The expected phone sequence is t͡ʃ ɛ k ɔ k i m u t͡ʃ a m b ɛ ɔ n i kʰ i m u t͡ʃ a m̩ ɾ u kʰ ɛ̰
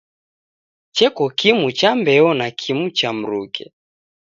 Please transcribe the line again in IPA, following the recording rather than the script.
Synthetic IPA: t͡ʃ ɛ k ɔ k i m u t͡ʃ a m b ɛ ɔ n a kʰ i m u t͡ʃ a m̩ ɾ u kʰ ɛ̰